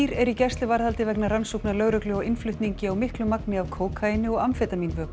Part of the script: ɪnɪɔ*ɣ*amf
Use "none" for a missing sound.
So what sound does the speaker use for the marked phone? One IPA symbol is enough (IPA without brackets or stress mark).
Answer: ɣ